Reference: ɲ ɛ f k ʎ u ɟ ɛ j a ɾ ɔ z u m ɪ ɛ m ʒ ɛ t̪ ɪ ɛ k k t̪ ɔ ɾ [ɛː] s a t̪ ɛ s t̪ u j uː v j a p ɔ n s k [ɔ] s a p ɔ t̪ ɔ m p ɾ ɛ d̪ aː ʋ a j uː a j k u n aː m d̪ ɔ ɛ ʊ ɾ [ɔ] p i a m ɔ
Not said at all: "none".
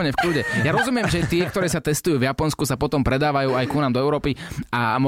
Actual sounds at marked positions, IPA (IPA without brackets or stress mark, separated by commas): ɛː, u, ɔː